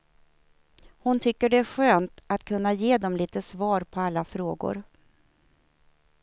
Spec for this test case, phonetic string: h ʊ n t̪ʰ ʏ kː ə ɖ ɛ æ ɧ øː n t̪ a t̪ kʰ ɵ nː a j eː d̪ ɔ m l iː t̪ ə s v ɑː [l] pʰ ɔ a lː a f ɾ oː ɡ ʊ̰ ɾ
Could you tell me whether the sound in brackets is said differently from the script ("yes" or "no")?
yes